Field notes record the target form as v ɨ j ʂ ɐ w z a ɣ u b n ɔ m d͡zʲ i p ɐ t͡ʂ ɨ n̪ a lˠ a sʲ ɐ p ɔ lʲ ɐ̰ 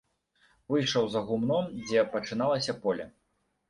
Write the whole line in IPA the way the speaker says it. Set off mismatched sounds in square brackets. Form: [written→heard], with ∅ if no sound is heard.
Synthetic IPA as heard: v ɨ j ʂ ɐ w z [a→ɐ] ɣ u [b→m] n ɔ m d͡zʲ [i→ɛ] p ɐ t͡ʂ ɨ n̪ a lˠ [a→ɐ] sʲ ɐ p ɔ lʲ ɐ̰